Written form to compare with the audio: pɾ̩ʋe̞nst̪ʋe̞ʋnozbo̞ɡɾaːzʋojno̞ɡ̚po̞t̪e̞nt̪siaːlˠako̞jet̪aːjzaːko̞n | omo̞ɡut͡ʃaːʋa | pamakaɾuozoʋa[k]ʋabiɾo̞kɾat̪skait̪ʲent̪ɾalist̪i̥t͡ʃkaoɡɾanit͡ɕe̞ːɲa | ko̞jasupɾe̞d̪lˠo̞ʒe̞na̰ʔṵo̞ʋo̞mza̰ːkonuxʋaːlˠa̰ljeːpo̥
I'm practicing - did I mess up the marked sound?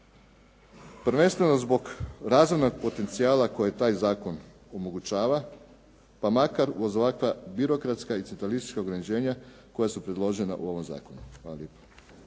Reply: no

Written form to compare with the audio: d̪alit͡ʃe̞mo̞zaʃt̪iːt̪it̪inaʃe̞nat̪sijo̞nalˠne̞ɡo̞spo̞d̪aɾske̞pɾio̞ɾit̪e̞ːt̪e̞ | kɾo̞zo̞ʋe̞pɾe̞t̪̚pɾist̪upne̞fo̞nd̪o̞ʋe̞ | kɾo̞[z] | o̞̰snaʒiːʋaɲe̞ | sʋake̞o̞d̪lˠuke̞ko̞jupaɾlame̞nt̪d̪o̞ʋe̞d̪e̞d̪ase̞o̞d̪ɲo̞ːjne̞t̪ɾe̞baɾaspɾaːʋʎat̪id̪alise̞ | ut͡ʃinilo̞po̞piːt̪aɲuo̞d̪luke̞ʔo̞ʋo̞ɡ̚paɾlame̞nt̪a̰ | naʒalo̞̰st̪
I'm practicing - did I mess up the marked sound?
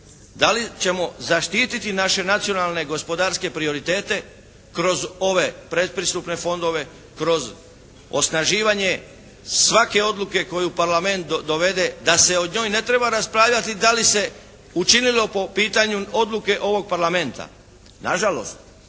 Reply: no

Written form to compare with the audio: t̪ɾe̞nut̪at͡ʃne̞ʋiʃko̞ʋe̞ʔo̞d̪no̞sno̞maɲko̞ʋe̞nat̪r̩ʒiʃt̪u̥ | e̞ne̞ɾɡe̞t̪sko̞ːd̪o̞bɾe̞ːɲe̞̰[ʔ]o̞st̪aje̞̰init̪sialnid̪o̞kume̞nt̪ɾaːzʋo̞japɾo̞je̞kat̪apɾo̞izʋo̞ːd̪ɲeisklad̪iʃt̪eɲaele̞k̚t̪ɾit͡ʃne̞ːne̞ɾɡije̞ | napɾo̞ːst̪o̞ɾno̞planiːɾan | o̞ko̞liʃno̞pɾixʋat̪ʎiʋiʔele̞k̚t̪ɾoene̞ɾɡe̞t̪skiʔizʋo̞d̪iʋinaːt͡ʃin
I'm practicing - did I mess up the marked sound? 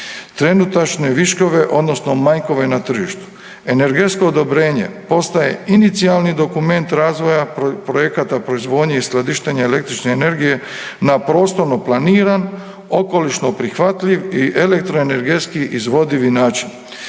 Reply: yes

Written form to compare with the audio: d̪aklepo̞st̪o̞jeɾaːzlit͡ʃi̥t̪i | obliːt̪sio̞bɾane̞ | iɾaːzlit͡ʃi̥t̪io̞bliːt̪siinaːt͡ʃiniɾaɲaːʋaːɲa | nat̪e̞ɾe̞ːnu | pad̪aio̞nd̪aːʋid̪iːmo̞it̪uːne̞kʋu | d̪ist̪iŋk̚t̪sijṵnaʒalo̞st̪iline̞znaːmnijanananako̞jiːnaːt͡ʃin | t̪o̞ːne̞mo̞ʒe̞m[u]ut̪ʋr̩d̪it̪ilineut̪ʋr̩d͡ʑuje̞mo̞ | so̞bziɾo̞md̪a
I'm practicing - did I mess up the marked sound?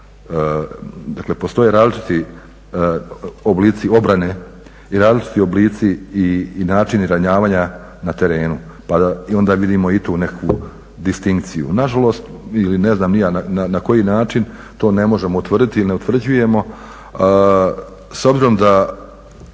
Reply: yes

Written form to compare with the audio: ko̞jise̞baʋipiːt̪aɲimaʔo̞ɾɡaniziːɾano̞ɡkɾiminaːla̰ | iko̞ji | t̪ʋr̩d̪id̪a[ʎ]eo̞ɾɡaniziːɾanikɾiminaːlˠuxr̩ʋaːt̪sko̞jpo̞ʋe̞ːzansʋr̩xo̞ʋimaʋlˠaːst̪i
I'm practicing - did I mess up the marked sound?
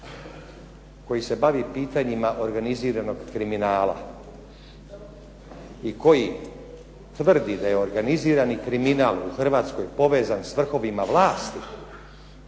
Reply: yes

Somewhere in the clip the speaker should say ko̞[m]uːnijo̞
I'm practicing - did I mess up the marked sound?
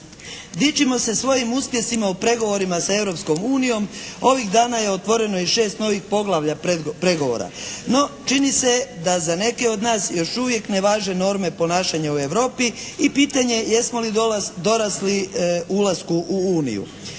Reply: no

